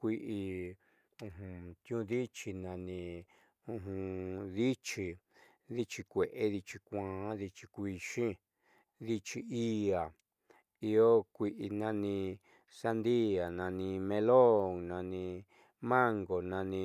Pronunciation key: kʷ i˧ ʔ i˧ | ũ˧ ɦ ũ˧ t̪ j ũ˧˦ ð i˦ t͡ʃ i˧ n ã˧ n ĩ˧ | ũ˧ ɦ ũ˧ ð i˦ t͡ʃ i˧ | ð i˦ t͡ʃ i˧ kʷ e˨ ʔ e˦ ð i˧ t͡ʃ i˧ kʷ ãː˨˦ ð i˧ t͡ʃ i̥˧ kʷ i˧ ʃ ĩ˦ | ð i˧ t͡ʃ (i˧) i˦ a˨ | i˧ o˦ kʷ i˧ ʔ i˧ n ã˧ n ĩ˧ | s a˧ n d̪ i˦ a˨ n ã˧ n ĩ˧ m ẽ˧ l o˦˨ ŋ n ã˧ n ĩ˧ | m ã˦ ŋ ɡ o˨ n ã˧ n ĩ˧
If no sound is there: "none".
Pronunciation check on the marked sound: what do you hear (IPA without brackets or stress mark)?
i˧